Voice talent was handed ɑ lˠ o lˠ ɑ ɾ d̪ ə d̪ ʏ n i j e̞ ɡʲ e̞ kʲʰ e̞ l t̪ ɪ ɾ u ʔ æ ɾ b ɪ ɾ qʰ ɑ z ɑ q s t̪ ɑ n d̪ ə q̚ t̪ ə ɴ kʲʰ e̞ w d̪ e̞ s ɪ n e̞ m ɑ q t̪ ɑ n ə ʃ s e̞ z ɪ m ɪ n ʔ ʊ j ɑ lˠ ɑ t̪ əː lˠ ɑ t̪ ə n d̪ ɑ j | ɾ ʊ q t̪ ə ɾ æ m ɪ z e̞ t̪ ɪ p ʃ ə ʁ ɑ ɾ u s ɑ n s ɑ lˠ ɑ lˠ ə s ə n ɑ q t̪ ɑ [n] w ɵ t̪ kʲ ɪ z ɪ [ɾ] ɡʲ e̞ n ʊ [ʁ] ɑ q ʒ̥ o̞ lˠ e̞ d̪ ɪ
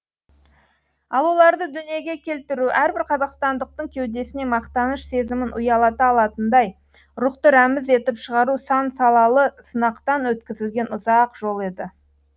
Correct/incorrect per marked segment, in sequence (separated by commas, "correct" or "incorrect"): correct, incorrect, incorrect